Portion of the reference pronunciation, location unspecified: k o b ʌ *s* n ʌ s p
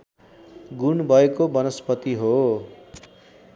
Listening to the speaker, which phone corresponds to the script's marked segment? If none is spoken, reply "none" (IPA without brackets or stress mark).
none